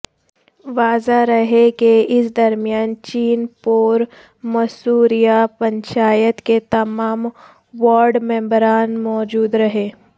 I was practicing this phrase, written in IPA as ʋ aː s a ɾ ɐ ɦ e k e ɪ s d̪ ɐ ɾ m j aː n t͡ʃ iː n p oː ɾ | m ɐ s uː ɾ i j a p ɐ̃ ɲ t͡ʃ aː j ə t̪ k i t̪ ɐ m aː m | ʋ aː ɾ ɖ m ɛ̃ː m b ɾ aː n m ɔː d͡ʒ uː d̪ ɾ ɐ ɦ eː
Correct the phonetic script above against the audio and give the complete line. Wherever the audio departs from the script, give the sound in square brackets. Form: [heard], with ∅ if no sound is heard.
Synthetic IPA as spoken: ʋ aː [z] a ɾ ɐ ɦ e k e ɪ s d̪ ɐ ɾ m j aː n t͡ʃ iː n p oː ɾ | m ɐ s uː ɾ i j a p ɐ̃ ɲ t͡ʃ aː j ə t̪ k [e] t̪ ɐ m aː m | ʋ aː ɾ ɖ m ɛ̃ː m b ɾ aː n m ɔː d͡ʒ uː d̪ ɾ ɐ ɦ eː